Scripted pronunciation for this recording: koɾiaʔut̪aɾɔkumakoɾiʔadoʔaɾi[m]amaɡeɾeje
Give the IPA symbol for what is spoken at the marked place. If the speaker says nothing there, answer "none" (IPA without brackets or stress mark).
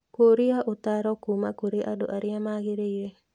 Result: none